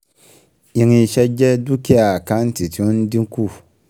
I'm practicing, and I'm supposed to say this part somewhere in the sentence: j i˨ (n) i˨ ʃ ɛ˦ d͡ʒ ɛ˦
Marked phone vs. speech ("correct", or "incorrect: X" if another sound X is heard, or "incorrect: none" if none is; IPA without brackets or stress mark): incorrect: ŋ